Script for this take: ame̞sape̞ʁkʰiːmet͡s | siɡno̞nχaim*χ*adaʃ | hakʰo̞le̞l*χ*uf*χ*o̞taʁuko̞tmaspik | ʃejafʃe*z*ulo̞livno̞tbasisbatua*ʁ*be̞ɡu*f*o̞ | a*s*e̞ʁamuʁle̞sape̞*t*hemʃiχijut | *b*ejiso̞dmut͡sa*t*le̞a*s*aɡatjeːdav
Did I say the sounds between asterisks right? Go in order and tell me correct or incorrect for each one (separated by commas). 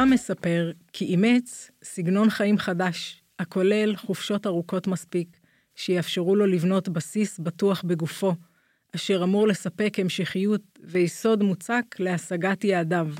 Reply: correct, correct, incorrect, incorrect, incorrect, correct, incorrect, incorrect, incorrect, incorrect, correct